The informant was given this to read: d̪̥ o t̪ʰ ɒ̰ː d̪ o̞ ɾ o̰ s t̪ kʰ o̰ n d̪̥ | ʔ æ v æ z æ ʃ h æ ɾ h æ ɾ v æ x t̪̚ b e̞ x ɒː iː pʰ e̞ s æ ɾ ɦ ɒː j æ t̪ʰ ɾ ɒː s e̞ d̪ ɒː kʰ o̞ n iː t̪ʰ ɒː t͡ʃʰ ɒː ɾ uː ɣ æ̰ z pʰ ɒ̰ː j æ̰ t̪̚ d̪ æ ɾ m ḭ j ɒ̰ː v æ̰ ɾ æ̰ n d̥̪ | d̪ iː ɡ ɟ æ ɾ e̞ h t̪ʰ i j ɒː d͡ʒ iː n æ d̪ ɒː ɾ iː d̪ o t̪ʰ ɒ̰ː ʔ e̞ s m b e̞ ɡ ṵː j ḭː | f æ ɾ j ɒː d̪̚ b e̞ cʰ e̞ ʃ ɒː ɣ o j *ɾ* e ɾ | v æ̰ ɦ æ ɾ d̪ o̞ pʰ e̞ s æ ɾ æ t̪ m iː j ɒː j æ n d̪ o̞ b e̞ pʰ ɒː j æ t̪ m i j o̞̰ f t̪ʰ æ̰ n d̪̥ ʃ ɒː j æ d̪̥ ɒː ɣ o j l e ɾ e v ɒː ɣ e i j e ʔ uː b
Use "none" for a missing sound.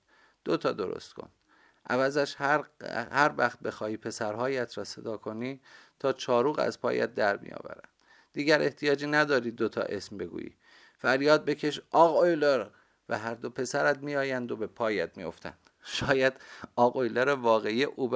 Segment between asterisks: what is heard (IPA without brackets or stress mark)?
l